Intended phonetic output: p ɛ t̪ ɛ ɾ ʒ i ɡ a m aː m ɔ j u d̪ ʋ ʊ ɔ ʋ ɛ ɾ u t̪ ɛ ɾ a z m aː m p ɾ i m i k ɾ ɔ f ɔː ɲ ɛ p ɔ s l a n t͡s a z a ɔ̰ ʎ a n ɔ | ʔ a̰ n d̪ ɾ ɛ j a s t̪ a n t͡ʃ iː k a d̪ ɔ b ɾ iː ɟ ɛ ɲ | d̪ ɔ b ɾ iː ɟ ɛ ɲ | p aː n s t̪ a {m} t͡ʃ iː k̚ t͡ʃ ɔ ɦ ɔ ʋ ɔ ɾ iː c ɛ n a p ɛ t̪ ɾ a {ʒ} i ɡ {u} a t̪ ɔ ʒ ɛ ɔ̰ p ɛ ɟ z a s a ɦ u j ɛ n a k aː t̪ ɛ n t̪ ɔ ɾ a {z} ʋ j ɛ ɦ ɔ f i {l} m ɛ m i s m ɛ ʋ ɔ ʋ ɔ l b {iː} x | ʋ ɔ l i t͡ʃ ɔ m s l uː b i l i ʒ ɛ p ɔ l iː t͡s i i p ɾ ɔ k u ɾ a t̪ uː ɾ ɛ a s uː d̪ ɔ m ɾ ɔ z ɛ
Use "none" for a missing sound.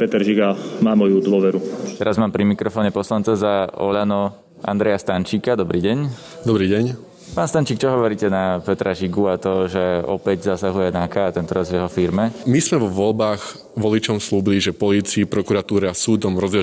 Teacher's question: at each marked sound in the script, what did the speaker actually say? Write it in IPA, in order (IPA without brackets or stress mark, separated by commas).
n, ʒ, u, z, ɾ, aː